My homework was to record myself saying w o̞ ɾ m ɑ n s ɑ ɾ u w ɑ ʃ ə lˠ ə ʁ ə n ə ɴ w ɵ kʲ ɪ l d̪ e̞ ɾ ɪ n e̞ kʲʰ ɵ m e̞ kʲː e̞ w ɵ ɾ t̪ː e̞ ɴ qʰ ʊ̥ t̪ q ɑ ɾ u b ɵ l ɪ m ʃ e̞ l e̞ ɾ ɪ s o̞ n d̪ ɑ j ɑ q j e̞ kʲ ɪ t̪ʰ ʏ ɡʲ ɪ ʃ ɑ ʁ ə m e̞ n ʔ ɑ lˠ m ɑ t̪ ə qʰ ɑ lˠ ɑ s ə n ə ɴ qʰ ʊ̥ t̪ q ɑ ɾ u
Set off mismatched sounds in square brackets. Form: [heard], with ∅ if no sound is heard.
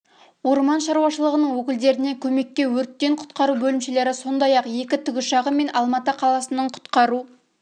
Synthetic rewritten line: w o̞ ɾ m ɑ n [ʃ] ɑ ɾ u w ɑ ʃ ə lˠ ə ʁ ə n ə ɴ w ɵ kʲ ɪ l d̪ e̞ ɾ ɪ n e̞ kʲʰ ɵ m e̞ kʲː e̞ w ɵ ɾ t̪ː e̞ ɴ qʰ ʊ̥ t̪ q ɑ ɾ u b ɵ l ɪ m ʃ e̞ l e̞ ɾ ɪ s o̞ n d̪ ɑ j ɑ q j e̞ kʲ ɪ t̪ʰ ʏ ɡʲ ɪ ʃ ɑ ʁ ə m e̞ n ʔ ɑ lˠ m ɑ t̪ ə qʰ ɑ lˠ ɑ s ə n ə ɴ qʰ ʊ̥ t̪ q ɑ ɾ u